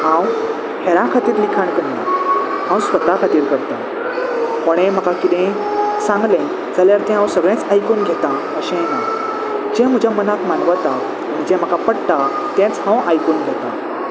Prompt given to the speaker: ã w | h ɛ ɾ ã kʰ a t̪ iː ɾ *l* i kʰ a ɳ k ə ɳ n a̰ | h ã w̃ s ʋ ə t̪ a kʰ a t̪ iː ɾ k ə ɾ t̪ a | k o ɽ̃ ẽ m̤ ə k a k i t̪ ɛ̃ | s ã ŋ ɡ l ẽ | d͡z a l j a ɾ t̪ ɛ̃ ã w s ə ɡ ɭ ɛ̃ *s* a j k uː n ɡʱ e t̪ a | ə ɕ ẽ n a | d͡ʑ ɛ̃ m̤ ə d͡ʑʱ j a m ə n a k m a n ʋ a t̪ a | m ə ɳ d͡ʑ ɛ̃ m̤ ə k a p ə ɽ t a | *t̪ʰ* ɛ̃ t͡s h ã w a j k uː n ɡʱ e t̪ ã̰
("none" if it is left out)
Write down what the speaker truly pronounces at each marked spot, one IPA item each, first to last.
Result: l, t͡s, t̪

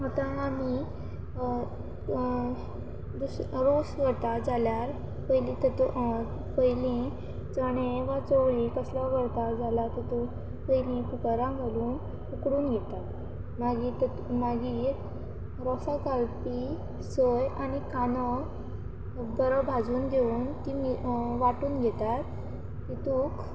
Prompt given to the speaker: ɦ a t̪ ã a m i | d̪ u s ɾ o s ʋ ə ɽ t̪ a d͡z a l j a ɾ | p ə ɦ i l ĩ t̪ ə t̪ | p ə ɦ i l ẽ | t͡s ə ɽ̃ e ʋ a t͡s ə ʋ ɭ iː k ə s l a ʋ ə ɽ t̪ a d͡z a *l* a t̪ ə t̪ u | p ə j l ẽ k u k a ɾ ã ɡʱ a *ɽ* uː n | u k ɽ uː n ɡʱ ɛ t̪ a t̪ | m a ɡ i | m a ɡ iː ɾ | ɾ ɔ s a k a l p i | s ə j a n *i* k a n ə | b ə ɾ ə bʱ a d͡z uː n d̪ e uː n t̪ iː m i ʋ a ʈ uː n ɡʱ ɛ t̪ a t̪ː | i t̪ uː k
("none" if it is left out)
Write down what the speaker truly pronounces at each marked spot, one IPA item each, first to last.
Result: l, l, i

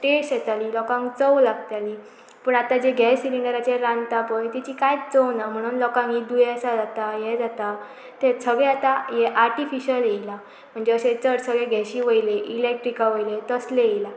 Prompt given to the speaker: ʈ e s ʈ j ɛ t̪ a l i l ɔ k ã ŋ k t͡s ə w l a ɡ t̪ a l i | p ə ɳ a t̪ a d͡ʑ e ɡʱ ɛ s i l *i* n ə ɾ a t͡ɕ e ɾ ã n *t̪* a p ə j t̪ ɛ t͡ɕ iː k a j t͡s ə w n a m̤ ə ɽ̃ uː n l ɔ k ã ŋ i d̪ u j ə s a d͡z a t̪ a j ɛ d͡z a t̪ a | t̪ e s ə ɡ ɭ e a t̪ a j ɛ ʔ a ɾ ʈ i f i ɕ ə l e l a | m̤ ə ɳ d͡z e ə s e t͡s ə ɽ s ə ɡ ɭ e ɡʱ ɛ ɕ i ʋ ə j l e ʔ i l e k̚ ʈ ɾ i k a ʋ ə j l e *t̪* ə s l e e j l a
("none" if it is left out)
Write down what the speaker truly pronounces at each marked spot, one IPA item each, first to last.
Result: i, t̪, t̪

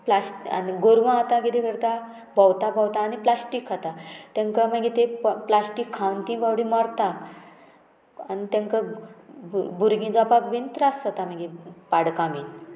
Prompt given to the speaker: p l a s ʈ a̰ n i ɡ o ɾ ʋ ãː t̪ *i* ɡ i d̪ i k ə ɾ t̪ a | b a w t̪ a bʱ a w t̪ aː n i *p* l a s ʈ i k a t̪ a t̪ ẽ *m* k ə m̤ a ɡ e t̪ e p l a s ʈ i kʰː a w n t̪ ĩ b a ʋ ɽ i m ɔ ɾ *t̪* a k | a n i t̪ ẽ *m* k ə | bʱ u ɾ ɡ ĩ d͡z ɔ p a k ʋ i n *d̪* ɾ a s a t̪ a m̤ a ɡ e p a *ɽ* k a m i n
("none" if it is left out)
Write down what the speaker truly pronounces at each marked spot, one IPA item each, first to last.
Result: a, p, ŋ, t̪, ŋ, t̪, ɽ

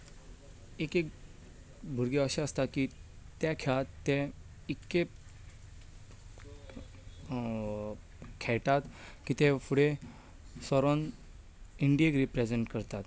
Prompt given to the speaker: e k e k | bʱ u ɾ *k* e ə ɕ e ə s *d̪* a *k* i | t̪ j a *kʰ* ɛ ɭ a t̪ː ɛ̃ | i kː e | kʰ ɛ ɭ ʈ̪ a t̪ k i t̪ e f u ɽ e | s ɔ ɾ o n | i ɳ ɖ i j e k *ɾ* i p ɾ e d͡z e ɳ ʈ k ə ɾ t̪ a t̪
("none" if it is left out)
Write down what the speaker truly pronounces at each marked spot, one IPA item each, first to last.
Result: ɡ, t̪, k, kʰ, ɾ

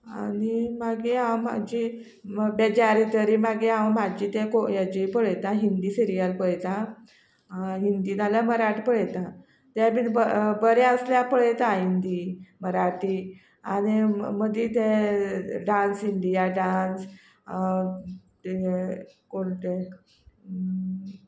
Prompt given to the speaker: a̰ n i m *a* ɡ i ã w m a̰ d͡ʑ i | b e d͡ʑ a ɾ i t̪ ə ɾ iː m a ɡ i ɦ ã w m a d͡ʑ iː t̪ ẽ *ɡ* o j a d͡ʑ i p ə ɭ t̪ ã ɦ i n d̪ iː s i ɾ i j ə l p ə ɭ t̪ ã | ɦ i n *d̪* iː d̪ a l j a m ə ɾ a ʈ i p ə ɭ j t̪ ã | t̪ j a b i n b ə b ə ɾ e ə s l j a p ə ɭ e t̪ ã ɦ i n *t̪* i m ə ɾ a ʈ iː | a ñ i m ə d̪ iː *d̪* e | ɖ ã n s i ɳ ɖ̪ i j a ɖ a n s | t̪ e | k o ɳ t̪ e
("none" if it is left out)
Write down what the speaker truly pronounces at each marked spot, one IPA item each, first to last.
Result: a, k, d̪, d̪, t̪

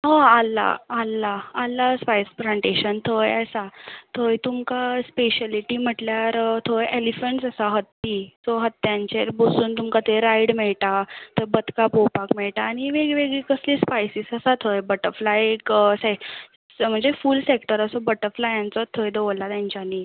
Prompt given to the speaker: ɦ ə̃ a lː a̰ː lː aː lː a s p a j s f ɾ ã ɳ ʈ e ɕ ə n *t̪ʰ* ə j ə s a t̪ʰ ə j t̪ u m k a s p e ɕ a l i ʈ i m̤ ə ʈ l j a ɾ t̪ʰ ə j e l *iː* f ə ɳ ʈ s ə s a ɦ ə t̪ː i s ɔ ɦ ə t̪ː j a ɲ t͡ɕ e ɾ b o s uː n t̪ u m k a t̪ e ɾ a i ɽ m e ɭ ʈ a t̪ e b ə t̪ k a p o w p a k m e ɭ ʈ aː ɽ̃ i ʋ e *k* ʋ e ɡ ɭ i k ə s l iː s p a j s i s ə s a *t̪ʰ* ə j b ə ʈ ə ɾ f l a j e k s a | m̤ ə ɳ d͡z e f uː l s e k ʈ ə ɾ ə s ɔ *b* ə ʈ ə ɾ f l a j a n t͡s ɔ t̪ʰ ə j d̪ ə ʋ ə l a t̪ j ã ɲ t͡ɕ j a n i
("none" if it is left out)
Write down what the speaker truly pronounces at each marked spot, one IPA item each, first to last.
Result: t̪ʰ, i, ɡ, t̪ʰ, b

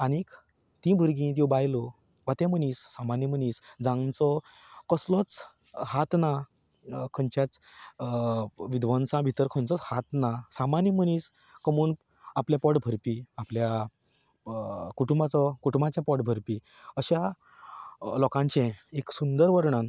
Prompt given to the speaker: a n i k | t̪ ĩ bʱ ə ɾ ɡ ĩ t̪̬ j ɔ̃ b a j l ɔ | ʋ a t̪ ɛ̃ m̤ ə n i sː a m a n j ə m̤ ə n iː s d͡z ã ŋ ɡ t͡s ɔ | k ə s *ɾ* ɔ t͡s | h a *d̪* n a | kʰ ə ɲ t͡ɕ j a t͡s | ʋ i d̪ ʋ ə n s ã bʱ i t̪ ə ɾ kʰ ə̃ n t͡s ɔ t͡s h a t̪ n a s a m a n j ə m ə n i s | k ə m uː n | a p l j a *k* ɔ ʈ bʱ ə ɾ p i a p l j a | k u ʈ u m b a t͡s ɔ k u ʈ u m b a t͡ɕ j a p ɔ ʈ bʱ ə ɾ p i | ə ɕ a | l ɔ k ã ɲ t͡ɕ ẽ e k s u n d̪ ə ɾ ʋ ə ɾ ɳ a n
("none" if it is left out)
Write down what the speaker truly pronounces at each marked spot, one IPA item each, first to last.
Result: l, t̪, p

